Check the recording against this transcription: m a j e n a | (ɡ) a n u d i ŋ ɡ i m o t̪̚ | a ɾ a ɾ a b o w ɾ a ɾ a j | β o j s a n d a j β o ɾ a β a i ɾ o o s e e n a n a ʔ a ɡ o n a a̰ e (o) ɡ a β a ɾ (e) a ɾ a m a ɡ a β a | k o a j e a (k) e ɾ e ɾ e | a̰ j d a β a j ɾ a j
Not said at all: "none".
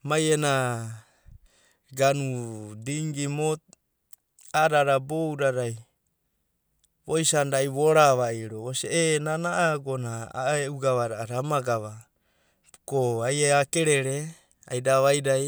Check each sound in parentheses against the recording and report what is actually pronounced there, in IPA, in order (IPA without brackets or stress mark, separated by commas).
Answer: ɡ, u, a, k